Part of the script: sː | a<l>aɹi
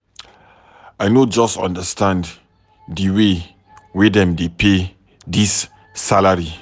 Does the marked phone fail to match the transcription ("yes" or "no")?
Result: no